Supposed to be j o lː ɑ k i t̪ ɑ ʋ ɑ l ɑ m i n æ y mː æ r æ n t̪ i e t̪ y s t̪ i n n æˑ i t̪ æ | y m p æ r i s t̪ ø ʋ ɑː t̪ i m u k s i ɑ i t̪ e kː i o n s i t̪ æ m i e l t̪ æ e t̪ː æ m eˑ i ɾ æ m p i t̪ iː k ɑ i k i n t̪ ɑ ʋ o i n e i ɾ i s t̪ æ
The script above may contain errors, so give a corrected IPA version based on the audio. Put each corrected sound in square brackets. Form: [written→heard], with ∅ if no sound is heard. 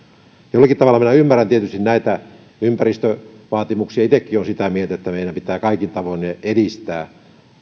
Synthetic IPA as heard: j o lː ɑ k i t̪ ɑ ʋ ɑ l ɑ m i n æ y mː æ r æ n t̪ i e t̪ y s t̪ i n n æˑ i t̪ æ | y m p æ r i s t̪ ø ʋ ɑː t̪ i m u k s i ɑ i t̪ e kː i o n s i t̪ æ m i e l t̪ æ e t̪ː æ m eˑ i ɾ æ m p i t̪ [iː→æː] k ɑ i k i n t̪ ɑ ʋ o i n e [i→e] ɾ i s t̪ [æ→æː]

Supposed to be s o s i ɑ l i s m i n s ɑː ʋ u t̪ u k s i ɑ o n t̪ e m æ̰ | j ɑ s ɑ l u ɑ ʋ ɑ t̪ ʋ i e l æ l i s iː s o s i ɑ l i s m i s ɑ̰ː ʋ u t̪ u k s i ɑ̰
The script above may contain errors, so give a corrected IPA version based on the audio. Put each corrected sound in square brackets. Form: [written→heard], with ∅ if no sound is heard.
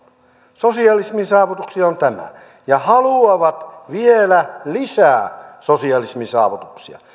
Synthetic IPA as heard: s o s i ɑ l i s m i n s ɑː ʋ u t̪ u k s i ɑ o n t̪ [e→æ] m æ̰ | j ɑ [s→h] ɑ l u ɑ ʋ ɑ t̪ ʋ i e l æ l i s [iː→æː] s o s i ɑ l i s m i s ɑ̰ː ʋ u t̪ u k s i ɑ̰

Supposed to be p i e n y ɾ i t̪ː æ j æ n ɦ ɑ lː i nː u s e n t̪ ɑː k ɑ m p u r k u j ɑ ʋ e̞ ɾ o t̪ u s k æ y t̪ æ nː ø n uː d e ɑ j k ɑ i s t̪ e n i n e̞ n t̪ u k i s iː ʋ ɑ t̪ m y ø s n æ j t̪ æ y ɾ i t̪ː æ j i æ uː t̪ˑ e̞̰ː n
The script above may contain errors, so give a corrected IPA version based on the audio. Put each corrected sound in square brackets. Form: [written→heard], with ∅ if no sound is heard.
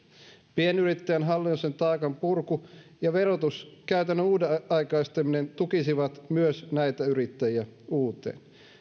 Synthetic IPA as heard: p i e n y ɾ i t̪ː æ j æ n ɦ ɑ lː i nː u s e n t̪ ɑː k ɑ m p u r k u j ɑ ʋ e̞ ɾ o t̪ u s k æ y t̪ æ nː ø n uː d e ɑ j k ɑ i s t̪ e [n→m] i n e̞ n t̪ u k i s [iː→i] ʋ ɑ t̪ m y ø s n æ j t̪ æ y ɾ i t̪ː æ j i æ uː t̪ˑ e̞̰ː n

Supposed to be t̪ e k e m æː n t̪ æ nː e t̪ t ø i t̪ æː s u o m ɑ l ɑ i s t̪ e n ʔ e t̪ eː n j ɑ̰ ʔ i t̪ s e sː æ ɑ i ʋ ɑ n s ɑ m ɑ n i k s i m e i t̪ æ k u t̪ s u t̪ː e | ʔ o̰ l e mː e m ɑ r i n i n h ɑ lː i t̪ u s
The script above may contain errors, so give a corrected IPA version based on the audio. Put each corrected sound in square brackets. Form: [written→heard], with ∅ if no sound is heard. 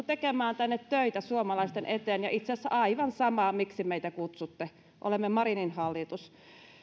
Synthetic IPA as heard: t̪ e k e m æː n t̪ æ nː e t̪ t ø i t̪ [æː→æ] s u o m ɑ l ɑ i s t̪ e n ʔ e t̪ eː n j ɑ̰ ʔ i t̪ s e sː æ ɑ i ʋ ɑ n s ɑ m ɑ [n→m] i k s i m e i t̪ æ k u t̪ s u t̪ː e | ʔ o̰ l e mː e m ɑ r i n i n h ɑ lː i t̪ u s

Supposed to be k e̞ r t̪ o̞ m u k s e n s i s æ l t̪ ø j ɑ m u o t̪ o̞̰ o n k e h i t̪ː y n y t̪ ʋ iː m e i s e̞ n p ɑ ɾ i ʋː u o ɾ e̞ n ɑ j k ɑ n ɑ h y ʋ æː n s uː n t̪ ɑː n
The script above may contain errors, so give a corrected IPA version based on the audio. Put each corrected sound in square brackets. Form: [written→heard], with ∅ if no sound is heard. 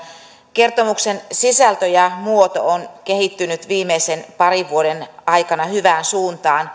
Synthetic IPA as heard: k e̞ r t̪ o̞ m u k s e n s i s æ l t̪ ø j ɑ m u o t̪ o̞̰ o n k e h i t̪ː y n y t̪ ʋ iː m e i s e̞ n p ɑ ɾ i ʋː u o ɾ e̞ n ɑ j k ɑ n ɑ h y ʋ æː n s uː n t̪ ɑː n

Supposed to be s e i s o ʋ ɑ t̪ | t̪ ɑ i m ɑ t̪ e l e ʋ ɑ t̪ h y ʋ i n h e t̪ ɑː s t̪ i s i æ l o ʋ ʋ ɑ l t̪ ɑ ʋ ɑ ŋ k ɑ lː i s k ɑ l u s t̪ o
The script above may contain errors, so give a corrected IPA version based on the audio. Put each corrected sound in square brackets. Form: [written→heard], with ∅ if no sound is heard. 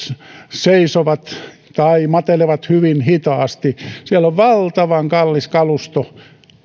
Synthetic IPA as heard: s e i s o ʋ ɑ t̪ | t̪ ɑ i m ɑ t̪ e l e ʋ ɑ t̪ h y ʋ i n h [e→i] t̪ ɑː s t̪ i s i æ l o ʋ ʋ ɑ l t̪ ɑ ʋ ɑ ŋ k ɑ lː i s k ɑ l u s t̪ o

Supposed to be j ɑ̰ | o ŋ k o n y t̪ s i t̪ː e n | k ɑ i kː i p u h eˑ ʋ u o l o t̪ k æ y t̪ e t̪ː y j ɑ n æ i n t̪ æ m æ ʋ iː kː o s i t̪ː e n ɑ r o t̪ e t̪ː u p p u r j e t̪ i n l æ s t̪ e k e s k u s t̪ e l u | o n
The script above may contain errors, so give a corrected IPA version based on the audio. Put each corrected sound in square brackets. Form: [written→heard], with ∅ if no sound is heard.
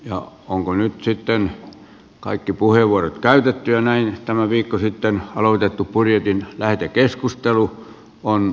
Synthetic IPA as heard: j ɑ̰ | o ŋ k o n y t̪ s i t̪ː e n | k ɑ i kː i p u h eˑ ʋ u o [l→r] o t̪ k æ y t̪ e t̪ː y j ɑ n æ i n t̪ æ m æ ʋ iː kː o s i t̪ː e n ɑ [r→l] o t̪ e t̪ː u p p u r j e t̪ i n l æ [s→h] t̪ e k e s k u s t̪ e l u | o n

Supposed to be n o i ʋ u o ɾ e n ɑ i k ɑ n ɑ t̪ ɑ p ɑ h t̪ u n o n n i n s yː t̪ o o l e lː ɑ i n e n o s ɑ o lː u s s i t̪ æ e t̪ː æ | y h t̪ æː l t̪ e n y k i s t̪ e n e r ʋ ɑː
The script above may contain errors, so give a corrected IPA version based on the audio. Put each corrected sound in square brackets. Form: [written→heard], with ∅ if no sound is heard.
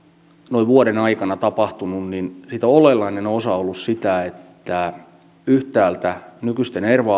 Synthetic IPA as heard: n o i ʋ u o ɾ e n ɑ i k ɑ n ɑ t̪ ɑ p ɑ h t̪ u n [o→u] n n i n s [yː→iː] t̪ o o l e lː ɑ i n e n o s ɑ o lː u s s i t̪ æ e t̪ː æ | y h t̪ æː l t̪ [e→æ] n y k [i→y] s t̪ e n e r ʋ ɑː

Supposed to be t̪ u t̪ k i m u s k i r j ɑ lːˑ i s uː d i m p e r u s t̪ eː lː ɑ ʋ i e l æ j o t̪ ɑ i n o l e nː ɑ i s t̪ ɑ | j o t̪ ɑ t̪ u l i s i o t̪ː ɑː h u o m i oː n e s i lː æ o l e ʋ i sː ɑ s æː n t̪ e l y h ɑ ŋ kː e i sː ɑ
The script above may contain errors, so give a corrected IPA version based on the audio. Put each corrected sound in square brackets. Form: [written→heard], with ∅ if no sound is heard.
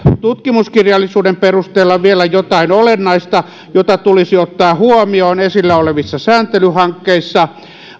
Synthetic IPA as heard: t̪ u t̪ k i m u s k i r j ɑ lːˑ i s uː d [i→e] m p e r u s t̪ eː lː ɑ ʋ i e l æ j o t̪ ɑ i n o l e nː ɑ i s t̪ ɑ | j o t̪ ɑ t̪ u l i s i o t̪ː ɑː h u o m i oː n e s i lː æ o l e ʋ i sː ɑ s æː n t̪ e l y h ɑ ŋ kː e i sː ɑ

